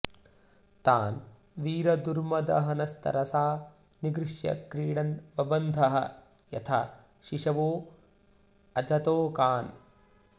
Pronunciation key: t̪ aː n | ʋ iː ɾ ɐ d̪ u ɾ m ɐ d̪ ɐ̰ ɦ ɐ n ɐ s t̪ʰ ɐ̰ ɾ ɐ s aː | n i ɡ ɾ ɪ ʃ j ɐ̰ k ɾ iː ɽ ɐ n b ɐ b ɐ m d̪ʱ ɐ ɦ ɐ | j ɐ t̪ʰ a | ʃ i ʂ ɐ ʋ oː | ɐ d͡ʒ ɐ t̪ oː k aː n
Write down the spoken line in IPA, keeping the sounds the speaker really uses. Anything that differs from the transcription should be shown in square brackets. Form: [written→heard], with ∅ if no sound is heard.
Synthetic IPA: t̪ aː n | ʋ iː ɾ ɐ d̪ u ɾ m ɐ d̪ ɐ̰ ɦ ɐ n ɐ s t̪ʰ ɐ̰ ɾ ɐ s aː | n i ɡ ɾ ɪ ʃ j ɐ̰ k ɾ iː ɽ ɐ n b ɐ b ɐ [m→n] d̪ʱ ɐ ɦ ɐ | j ɐ t̪ʰ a | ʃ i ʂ ɐ ʋ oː | ɐ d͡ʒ ɐ t̪ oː k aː n